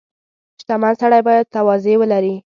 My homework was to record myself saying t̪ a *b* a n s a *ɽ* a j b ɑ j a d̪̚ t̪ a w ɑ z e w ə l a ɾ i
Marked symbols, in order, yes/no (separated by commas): no, yes